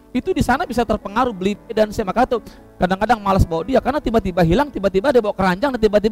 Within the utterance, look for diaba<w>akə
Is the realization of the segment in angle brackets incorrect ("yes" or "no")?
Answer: no